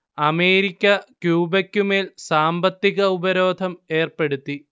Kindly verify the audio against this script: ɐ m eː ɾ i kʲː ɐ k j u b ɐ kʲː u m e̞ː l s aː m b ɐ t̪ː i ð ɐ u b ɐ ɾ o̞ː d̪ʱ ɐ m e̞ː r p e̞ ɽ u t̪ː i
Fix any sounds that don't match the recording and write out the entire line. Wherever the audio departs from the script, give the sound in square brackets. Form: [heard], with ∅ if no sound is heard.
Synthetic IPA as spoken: ɐ m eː ɾ i kʲː ɐ k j [uː] b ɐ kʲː u m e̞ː l s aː m b ɐ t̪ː i [ɣ] ɐ u b ɐ ɾ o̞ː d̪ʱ ɐ m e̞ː r p e̞ ɽ u t̪ː i